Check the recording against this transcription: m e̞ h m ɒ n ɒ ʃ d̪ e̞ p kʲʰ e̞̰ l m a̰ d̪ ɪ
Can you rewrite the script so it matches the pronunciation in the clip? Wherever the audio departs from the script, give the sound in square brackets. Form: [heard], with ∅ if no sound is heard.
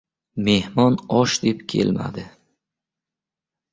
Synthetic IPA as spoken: m e̞ h m ɒ n ɒ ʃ d̪ e̞ p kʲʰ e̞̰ l m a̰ d̪ ɪ